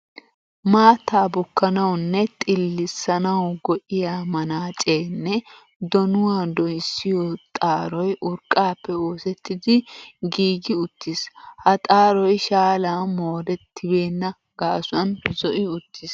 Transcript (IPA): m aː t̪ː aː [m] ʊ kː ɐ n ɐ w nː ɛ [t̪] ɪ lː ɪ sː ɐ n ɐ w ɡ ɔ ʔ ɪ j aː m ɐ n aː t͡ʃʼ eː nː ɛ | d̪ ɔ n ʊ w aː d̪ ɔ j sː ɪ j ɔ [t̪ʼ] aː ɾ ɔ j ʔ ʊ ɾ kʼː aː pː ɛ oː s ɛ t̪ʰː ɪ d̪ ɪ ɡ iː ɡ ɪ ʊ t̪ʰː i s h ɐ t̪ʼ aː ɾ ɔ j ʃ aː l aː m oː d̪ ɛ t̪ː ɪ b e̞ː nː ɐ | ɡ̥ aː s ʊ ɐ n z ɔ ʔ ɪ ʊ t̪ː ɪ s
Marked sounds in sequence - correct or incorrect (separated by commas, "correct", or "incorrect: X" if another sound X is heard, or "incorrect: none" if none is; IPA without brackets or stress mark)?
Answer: incorrect: b, incorrect: t̪ʼ, correct